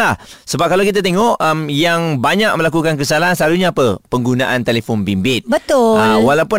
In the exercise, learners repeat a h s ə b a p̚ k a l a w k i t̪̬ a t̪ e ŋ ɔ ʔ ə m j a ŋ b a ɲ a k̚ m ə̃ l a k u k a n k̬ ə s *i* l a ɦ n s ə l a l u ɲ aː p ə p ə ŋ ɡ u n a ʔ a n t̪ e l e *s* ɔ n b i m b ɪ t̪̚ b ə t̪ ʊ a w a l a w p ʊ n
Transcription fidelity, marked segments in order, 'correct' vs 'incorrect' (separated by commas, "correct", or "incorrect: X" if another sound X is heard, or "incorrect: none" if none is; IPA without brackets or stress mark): incorrect: a, incorrect: f